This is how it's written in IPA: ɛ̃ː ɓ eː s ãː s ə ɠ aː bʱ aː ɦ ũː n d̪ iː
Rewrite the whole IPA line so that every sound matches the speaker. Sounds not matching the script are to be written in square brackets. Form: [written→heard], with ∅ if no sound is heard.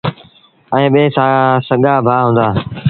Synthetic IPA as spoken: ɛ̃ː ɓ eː s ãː s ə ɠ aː bʱ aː ɦ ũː n d̪ [iː→aː]